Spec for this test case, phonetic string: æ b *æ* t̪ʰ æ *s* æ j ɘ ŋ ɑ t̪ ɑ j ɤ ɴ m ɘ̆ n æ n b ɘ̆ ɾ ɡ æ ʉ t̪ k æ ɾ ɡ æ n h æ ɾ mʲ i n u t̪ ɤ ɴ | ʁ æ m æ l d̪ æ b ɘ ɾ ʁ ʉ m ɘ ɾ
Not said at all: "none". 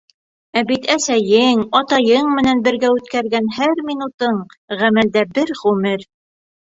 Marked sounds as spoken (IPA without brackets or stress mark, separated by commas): i, s